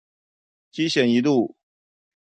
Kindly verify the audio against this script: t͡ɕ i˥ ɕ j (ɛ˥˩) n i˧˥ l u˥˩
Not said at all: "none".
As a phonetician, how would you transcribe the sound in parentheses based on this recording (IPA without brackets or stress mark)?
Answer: ɛ˨˩